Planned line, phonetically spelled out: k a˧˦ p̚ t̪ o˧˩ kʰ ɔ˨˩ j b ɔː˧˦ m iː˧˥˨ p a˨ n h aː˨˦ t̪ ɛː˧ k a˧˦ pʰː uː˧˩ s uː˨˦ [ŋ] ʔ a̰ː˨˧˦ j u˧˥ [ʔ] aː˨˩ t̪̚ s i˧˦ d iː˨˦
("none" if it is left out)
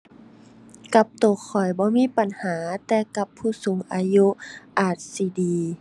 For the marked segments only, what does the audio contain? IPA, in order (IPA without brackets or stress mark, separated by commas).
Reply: ŋ, ʔ